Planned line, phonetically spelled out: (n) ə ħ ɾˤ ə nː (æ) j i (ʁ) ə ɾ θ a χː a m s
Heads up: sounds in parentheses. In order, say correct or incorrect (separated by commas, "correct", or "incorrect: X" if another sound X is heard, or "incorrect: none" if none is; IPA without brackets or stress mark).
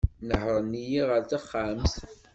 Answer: correct, incorrect: i, correct